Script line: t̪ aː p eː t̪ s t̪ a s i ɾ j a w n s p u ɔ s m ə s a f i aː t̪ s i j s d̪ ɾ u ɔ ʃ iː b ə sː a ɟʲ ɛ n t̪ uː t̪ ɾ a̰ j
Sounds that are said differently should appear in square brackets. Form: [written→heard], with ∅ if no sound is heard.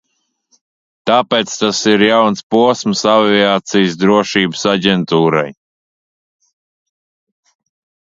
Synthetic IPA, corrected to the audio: t̪ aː p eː t̪ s t̪ a s i ɾ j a w n s p u ɔ s m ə s a [f→v] i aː t̪ s i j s d̪ ɾ u ɔ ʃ iː b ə [sː→s] a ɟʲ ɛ n t̪ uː [t̪→∅] ɾ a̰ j